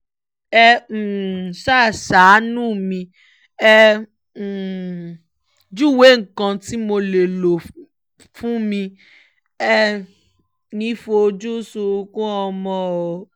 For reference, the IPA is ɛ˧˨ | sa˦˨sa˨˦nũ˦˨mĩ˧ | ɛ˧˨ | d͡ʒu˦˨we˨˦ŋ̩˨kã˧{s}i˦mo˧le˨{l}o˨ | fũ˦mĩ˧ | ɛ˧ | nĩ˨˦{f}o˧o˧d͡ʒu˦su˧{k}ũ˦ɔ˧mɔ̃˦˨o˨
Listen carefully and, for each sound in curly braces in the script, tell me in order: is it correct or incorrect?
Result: incorrect: t, correct, correct, correct

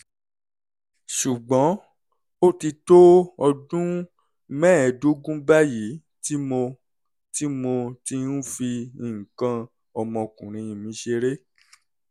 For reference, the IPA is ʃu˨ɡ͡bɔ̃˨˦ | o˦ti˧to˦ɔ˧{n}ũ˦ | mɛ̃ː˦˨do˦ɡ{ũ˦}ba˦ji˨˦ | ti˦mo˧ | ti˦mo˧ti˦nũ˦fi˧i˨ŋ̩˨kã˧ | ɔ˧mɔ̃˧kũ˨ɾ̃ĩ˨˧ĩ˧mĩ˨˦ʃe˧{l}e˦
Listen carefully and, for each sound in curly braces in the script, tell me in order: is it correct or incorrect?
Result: incorrect: d, correct, incorrect: ɾ

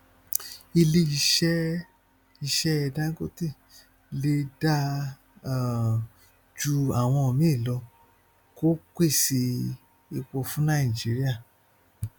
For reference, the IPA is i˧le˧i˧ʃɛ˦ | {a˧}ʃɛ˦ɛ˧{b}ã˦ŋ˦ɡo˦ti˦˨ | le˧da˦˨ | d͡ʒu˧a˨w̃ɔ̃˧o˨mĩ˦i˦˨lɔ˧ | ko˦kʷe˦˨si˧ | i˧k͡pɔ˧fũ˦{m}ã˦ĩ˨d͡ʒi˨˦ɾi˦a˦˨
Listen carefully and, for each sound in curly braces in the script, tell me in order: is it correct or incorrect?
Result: incorrect: i˧, incorrect: d, incorrect: n

